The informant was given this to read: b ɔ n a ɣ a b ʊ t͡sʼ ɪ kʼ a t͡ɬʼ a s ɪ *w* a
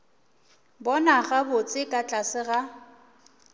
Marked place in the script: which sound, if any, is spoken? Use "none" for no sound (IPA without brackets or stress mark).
ɣ